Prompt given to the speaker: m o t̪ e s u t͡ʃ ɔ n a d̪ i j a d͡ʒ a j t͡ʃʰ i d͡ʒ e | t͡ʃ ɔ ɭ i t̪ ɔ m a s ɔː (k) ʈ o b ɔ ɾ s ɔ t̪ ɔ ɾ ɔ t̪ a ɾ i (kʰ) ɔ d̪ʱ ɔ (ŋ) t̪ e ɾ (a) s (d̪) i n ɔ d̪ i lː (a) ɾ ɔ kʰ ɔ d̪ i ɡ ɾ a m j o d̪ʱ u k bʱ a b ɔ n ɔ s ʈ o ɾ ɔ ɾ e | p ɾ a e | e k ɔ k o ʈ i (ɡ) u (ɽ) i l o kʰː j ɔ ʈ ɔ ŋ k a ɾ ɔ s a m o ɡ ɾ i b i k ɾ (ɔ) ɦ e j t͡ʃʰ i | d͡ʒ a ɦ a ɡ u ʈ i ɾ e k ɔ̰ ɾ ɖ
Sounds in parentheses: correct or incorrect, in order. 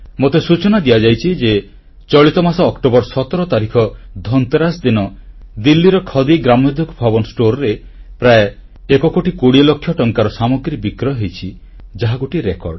correct, correct, incorrect, correct, correct, incorrect, incorrect, correct, correct

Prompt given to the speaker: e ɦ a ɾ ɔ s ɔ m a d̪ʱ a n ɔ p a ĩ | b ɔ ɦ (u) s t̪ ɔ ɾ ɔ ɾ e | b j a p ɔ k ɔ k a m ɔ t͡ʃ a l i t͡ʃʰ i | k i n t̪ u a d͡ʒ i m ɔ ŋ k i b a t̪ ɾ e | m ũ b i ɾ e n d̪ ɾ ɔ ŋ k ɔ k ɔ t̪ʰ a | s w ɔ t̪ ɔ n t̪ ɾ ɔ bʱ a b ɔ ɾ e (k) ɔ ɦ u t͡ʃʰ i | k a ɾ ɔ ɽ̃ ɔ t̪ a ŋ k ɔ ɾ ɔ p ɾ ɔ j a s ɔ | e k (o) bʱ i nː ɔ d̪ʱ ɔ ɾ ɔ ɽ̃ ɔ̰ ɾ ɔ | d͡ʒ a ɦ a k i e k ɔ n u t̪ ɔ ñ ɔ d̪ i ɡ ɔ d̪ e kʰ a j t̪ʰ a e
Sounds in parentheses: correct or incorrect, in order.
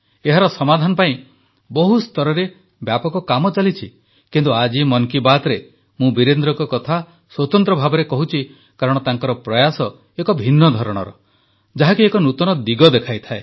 correct, correct, incorrect

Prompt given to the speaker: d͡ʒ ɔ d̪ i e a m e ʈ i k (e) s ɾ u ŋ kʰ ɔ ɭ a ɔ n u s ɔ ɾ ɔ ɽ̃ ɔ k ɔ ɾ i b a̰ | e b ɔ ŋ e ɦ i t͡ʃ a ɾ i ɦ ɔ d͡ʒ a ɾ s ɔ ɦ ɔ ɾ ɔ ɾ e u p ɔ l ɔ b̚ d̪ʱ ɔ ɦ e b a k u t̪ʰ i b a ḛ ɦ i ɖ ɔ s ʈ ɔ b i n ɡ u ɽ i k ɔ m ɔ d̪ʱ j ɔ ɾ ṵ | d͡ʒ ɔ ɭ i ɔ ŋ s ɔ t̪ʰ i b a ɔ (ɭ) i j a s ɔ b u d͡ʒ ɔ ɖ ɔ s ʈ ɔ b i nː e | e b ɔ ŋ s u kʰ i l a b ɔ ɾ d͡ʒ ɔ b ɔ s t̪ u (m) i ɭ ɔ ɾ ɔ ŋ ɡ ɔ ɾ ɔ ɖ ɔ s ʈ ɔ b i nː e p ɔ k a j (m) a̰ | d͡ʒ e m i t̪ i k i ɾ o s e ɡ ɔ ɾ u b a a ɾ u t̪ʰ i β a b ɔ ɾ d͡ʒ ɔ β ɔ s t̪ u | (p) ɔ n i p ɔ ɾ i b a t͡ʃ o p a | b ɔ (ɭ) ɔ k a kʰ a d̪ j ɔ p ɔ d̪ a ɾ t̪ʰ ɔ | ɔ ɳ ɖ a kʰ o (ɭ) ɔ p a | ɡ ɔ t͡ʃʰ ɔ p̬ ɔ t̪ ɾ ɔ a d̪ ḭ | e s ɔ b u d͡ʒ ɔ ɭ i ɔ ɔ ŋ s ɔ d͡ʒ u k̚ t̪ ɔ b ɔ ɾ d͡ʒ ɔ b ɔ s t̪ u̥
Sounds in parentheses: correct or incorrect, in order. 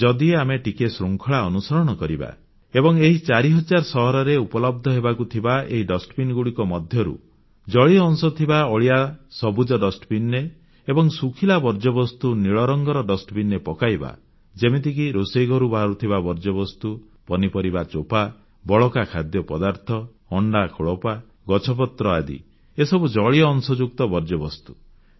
correct, correct, incorrect, incorrect, correct, correct, correct

